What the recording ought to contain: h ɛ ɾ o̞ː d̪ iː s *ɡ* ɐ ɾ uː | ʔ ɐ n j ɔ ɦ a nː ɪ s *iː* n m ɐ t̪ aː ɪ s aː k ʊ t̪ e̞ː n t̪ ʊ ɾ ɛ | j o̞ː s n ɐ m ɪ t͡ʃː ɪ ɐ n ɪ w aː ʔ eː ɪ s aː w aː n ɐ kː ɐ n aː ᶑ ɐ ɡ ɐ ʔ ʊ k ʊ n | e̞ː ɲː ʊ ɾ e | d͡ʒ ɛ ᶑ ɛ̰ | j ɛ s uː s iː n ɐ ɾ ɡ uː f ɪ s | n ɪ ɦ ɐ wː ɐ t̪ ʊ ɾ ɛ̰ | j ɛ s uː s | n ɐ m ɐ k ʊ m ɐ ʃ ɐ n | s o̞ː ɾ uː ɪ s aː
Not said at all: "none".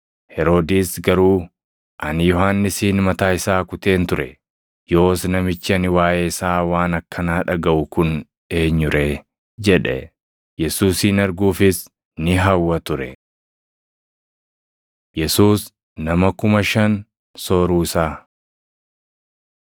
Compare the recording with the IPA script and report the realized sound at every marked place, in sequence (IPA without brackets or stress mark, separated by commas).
ɡ, iː